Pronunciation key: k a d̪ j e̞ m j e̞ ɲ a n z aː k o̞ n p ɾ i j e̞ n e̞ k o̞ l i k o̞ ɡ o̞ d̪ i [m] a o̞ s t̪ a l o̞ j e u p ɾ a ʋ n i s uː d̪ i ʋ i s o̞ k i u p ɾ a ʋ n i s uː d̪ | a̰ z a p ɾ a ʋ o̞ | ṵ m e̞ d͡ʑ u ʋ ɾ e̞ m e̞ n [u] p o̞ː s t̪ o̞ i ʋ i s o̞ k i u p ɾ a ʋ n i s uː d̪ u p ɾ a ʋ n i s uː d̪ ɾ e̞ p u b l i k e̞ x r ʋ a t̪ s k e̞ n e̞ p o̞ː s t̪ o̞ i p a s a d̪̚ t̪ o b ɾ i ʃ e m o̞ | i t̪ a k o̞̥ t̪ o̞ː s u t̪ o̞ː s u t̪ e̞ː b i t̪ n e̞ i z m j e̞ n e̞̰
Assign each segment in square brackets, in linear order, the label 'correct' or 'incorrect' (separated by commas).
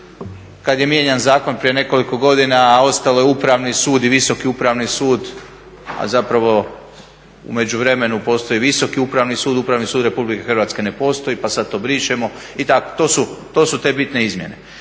incorrect, correct